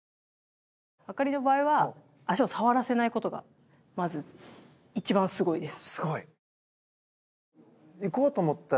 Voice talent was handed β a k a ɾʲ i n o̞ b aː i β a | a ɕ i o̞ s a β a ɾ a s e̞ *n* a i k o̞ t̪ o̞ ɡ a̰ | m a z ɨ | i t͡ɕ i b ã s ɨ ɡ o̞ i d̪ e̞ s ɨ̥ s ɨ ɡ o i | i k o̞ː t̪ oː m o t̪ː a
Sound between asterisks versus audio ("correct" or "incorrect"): correct